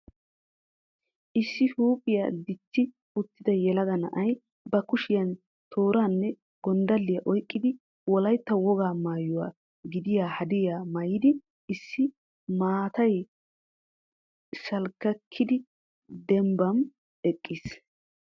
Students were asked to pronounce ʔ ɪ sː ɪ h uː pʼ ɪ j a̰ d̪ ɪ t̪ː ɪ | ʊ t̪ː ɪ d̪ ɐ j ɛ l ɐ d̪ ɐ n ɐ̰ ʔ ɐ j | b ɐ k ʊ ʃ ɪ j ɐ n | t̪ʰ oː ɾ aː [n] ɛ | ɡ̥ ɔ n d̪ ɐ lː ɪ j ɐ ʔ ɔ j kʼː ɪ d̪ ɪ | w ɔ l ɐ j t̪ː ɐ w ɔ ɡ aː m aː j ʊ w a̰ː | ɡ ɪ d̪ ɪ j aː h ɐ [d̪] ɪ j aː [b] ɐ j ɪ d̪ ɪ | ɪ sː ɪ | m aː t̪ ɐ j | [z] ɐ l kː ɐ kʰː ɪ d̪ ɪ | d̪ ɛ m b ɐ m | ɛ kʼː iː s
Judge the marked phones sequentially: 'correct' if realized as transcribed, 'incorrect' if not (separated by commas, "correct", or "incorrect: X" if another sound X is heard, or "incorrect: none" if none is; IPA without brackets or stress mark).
incorrect: nː, correct, incorrect: m, incorrect: s